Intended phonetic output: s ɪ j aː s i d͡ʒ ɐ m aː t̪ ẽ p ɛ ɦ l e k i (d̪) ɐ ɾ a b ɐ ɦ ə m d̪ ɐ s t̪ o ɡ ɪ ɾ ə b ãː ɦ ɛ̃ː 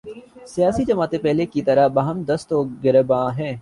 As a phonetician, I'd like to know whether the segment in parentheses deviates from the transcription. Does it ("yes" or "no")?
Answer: yes